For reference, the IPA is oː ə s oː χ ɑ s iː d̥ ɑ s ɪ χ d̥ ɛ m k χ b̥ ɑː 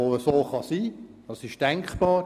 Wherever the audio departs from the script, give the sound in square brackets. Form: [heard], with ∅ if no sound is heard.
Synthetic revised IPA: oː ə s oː χ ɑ s iː d̥ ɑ s ɪ [ʃ] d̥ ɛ [ŋ] k χ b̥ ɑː

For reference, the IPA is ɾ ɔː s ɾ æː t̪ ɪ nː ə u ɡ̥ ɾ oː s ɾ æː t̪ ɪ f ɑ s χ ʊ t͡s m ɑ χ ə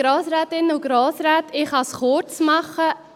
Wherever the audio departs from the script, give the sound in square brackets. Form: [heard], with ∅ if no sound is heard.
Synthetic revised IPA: ɾ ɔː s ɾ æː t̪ ɪ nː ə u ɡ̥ ɾ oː s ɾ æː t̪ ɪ [χ] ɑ s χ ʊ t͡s m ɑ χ ə

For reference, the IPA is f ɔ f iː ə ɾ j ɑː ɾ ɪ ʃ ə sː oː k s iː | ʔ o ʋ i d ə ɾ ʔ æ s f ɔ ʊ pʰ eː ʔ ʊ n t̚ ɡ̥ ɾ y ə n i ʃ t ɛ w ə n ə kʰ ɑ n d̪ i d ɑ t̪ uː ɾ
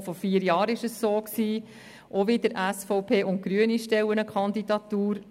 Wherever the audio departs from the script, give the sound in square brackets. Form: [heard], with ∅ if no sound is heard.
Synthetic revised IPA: f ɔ f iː ə ɾ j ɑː ɾ ɪ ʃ ə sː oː k s iː | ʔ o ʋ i d ə ɾ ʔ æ s f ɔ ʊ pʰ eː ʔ ʊ n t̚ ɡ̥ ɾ y ə n i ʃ t ɛ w ə n ə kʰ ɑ n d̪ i d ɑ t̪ uː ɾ

